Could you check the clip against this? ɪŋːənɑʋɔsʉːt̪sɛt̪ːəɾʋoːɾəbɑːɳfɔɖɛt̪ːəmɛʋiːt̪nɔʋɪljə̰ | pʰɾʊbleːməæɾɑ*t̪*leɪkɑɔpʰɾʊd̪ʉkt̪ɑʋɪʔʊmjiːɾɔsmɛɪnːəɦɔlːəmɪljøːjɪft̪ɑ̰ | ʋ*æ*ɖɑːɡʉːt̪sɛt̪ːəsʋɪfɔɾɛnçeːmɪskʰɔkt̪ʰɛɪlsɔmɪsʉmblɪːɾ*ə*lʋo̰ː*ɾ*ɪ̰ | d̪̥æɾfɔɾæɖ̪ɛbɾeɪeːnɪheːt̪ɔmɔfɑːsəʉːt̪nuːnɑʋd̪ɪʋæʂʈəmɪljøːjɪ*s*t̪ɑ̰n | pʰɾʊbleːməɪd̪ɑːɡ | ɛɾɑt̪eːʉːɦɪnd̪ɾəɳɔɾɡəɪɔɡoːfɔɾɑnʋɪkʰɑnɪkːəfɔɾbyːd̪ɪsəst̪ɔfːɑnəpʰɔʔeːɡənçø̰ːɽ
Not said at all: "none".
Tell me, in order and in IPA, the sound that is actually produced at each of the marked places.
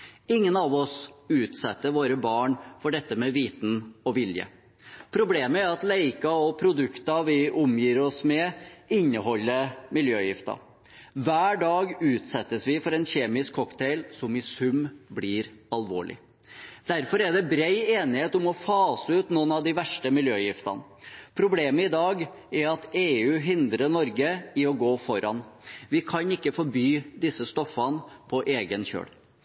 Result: t̪, æː, ɑ, ɭ, f

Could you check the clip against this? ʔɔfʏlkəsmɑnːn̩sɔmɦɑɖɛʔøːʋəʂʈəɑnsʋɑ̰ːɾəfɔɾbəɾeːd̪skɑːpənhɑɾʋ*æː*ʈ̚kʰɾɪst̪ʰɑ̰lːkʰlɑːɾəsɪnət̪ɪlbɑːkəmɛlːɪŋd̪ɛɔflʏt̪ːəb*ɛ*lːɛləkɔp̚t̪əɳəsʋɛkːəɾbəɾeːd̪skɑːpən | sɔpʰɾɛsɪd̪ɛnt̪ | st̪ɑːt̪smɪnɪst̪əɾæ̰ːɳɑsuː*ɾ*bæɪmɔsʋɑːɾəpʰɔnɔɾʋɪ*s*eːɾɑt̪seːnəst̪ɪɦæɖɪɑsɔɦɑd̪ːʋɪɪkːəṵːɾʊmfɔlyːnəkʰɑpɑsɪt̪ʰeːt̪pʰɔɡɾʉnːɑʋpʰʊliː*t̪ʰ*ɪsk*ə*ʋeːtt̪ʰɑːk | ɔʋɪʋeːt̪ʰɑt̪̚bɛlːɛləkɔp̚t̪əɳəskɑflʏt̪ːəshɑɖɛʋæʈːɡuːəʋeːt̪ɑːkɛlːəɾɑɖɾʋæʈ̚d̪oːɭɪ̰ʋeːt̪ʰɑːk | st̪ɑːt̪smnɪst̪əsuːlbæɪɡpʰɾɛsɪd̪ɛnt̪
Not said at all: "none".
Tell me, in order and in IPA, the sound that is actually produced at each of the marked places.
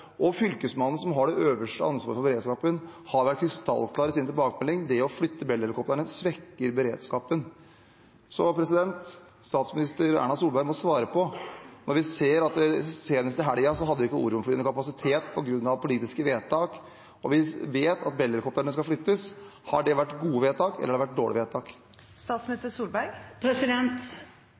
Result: æ, ɛ, l, s, t̪, ə

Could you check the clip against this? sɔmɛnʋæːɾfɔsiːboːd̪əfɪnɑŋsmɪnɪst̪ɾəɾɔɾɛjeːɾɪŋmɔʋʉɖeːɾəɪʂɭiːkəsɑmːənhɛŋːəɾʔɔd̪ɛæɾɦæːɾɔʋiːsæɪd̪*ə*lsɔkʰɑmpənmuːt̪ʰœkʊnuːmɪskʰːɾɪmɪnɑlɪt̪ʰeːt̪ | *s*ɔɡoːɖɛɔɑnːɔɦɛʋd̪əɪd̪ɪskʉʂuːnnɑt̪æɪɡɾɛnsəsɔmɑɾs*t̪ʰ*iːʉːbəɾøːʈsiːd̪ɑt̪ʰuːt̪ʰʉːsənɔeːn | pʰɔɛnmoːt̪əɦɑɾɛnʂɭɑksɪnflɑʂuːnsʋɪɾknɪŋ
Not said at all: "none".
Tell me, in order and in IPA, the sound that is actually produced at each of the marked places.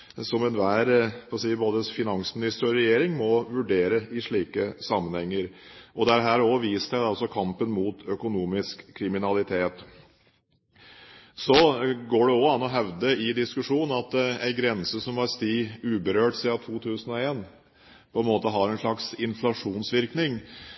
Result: ɑ, s, t̪

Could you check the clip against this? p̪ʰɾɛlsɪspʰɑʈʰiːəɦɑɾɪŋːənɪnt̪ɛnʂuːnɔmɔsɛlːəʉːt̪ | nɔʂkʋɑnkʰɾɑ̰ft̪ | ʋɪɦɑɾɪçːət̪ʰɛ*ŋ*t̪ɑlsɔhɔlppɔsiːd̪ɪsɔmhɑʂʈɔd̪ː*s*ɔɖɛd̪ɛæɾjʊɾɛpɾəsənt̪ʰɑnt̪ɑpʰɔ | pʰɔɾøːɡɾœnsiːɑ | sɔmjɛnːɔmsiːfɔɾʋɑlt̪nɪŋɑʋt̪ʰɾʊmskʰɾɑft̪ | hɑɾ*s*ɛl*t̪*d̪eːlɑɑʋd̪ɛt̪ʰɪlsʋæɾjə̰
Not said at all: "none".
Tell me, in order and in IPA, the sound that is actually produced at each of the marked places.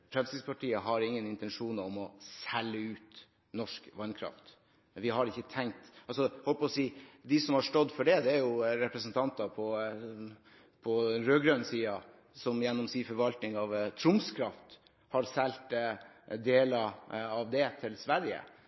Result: ŋ, f, s, t̪

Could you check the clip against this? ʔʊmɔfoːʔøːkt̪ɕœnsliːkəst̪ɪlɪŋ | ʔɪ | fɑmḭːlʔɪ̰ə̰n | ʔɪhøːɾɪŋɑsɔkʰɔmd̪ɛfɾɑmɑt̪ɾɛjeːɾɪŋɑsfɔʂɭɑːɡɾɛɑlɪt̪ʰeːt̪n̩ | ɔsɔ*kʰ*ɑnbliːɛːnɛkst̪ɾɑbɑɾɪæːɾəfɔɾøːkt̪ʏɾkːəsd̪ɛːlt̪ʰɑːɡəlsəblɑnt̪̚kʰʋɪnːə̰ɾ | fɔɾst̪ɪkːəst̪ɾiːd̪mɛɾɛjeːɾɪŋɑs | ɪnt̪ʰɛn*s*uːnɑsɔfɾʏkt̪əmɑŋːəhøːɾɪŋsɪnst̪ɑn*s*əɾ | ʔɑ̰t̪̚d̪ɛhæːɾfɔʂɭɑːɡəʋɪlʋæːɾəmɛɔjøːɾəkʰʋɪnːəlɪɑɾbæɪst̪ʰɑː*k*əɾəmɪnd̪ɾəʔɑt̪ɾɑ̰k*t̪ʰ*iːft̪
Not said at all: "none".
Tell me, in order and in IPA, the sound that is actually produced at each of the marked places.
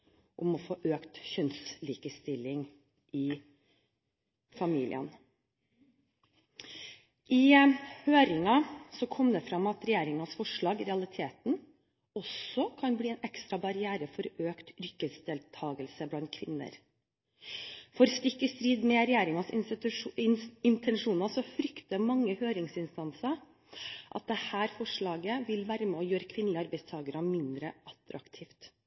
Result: kʰ, ʂ, s, ɡ, t̪ʰ

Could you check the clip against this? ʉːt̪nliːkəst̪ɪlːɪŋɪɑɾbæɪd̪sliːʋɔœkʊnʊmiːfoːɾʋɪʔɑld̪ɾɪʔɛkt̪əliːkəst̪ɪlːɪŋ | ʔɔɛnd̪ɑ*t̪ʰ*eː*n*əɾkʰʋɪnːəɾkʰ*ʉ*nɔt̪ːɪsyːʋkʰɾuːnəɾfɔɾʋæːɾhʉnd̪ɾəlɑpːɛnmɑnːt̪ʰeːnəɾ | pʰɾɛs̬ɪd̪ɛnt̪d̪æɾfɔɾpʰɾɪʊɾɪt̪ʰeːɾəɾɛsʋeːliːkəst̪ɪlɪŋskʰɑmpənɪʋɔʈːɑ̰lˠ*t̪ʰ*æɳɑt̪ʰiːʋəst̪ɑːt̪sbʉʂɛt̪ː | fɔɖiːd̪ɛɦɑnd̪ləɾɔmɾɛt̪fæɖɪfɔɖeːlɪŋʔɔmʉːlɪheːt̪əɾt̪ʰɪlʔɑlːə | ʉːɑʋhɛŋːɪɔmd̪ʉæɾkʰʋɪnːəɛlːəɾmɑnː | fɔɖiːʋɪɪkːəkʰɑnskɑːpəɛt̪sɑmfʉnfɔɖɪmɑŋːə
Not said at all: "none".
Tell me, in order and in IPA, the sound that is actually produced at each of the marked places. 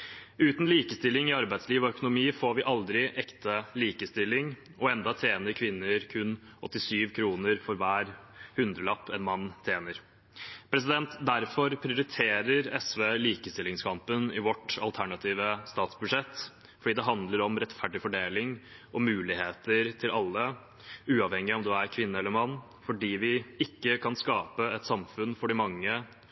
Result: t̪ʰ, n, ʉ, t̪ʰ

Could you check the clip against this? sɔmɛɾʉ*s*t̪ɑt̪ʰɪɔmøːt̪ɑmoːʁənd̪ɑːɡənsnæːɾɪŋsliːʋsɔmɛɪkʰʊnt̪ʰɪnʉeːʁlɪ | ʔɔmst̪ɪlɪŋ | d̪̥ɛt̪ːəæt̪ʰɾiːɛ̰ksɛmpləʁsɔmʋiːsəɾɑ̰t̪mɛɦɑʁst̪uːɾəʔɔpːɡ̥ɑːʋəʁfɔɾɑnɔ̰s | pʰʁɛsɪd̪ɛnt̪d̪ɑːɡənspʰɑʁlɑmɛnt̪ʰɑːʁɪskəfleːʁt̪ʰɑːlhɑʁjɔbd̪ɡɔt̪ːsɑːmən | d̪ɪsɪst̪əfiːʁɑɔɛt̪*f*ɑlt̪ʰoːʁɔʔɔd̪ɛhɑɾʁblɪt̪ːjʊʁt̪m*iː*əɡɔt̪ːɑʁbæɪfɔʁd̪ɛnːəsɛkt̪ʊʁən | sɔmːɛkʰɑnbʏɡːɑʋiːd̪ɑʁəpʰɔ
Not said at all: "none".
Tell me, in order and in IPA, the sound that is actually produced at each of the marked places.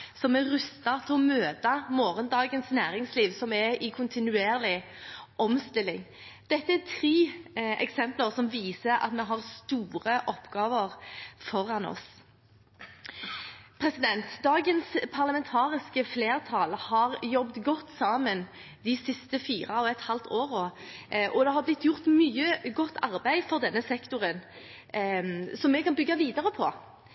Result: s, h, yː

